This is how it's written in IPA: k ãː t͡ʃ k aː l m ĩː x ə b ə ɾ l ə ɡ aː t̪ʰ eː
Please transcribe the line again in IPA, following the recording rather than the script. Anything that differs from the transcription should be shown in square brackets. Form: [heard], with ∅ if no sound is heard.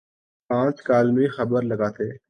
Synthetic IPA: [p] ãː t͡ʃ k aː l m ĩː x ə b ə ɾ l ə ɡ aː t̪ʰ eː